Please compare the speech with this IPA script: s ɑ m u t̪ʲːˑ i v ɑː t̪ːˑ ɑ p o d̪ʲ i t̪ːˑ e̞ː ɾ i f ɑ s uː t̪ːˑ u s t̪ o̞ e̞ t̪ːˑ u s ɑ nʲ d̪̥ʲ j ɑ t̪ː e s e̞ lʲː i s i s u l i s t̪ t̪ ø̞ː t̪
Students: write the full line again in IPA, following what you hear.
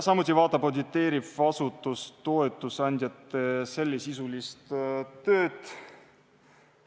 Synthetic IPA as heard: s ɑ m u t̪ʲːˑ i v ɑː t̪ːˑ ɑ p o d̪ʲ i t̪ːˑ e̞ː ɾ i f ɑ s u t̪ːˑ u s t̪ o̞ e̞ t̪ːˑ u s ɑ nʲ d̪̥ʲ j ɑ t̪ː e s e̞ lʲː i s i s u l i s t̪ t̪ ø̞ː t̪